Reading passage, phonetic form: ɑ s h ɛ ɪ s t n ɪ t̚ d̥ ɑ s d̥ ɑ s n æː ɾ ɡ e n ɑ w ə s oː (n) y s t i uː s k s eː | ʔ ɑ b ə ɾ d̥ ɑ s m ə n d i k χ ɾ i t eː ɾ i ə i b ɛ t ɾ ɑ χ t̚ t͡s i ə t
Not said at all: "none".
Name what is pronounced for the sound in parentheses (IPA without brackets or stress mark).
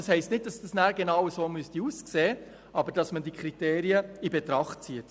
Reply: m